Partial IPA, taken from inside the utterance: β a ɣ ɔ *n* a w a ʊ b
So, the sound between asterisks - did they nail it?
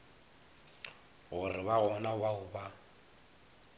yes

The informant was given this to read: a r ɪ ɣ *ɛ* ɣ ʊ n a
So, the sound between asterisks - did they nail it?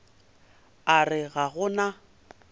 no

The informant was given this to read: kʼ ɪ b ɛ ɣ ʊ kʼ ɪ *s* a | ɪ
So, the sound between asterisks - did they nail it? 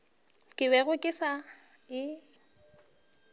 yes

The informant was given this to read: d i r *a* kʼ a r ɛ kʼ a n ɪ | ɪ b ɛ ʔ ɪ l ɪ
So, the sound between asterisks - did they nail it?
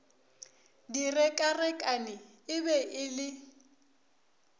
no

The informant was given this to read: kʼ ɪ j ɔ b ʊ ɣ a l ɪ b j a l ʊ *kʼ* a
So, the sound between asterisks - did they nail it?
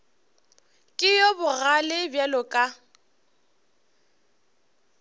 yes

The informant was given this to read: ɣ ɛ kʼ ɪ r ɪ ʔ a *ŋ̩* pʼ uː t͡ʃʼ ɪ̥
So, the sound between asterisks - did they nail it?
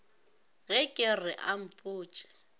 no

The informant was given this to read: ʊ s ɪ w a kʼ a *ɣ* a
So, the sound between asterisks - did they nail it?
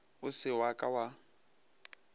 no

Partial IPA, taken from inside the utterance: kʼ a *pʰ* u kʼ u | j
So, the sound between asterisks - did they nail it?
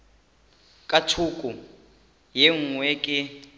no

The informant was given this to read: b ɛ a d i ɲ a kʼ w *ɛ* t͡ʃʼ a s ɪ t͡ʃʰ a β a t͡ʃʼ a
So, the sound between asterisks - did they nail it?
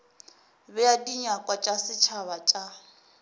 no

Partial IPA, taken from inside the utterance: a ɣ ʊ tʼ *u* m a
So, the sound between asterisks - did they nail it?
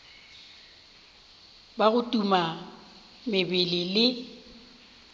yes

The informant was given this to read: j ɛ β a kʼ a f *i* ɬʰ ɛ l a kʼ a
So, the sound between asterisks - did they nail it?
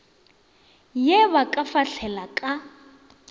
no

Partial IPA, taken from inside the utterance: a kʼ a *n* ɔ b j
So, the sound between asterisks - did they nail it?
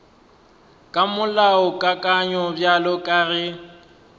no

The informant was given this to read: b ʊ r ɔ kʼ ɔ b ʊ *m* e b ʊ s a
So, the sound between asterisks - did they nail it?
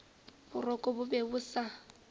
no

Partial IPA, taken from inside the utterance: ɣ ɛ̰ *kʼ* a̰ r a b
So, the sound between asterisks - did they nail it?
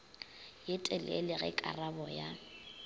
yes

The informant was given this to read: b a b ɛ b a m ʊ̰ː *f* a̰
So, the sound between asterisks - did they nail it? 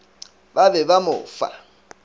yes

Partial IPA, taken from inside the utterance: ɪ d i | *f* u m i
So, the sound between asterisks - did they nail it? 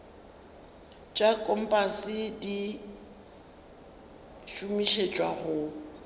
no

